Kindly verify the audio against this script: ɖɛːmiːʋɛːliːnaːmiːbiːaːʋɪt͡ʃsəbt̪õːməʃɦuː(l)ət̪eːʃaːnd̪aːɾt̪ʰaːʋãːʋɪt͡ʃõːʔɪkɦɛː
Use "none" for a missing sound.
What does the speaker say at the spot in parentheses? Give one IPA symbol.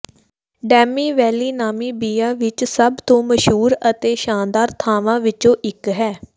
ɾ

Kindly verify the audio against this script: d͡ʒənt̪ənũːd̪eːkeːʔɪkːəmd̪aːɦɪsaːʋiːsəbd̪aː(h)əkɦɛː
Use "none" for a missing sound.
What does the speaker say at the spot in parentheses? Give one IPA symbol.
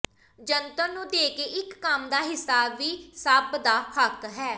h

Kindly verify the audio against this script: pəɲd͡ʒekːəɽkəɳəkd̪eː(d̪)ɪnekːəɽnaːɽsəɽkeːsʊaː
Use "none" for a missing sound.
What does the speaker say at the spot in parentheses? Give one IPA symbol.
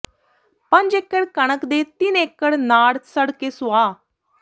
t̪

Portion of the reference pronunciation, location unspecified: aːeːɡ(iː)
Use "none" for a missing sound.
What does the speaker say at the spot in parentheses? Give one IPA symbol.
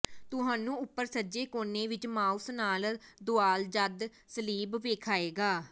aː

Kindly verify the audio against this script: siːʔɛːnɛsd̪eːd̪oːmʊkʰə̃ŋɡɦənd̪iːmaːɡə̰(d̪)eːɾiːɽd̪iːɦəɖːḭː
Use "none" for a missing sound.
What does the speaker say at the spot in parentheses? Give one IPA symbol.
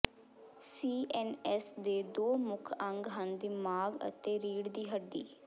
t̪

